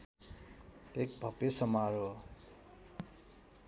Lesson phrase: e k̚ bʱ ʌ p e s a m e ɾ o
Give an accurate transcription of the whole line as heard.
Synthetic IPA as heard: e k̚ bʱ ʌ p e s ʌ m a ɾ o